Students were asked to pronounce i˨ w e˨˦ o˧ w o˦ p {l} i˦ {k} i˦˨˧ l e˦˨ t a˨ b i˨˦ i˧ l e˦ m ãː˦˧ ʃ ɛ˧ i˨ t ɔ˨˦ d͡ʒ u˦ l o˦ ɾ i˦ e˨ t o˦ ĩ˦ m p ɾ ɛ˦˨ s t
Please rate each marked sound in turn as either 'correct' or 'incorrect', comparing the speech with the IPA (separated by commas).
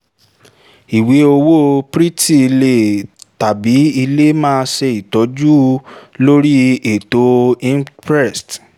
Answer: incorrect, incorrect